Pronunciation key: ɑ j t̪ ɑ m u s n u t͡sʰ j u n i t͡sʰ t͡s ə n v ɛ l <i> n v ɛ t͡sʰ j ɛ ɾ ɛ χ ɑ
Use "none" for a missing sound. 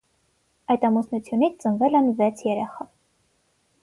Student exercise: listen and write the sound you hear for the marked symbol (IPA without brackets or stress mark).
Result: ɛ